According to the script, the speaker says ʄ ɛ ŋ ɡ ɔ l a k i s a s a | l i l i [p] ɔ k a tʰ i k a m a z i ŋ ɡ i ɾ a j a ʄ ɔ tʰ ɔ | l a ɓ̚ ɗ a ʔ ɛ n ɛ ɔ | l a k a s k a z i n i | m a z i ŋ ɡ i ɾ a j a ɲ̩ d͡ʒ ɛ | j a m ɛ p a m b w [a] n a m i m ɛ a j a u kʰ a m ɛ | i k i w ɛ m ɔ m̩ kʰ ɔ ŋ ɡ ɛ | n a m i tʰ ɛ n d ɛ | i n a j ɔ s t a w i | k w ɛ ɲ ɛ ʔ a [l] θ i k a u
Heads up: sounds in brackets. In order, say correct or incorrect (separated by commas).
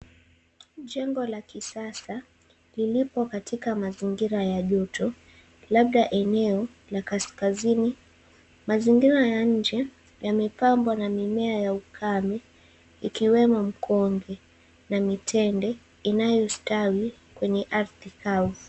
correct, correct, incorrect